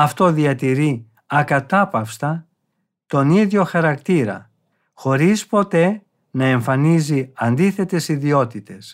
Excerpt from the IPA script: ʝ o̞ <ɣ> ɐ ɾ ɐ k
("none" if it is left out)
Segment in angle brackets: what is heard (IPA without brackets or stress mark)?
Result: x